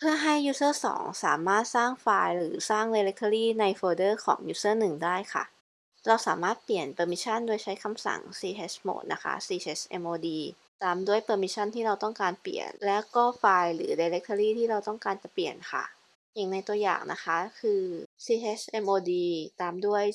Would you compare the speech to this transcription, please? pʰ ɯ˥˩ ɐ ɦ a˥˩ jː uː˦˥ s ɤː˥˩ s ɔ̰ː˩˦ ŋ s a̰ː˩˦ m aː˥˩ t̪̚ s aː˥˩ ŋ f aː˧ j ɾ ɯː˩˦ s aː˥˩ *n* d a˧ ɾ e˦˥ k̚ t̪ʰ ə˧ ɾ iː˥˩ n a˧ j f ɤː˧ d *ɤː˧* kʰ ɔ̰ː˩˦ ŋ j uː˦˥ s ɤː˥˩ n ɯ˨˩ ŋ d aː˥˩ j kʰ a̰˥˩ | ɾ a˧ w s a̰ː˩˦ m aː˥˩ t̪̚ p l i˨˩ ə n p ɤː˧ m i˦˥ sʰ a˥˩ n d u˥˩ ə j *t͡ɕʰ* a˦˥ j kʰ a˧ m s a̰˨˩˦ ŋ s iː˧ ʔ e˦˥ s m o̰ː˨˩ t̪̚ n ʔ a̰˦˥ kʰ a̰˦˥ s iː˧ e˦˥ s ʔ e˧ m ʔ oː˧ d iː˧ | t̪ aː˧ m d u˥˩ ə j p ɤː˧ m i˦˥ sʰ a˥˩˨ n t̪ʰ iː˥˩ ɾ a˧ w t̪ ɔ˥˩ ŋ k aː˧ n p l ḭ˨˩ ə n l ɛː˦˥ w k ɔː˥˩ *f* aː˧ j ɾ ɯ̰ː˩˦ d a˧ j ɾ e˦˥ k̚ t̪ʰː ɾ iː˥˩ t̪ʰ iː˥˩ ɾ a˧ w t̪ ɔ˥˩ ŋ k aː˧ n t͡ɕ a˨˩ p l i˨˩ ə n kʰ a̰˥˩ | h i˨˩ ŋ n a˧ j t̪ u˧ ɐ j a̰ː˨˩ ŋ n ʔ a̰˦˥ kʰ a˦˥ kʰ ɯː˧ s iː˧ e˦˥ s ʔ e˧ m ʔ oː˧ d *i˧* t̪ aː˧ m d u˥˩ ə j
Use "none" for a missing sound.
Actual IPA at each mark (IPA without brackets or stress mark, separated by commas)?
ŋ, ɤː˥˩, t͡ɕʰ, f, iː˧